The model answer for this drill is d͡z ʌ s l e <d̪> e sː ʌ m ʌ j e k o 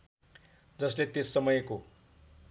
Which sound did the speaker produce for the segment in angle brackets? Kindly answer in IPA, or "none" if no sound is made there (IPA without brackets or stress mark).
t̪